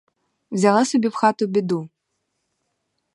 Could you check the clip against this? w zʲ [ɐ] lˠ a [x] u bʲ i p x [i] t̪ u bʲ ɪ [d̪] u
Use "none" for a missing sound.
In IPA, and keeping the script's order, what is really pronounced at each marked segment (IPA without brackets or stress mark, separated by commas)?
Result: a, s, a, d̪